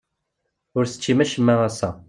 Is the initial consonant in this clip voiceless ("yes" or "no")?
no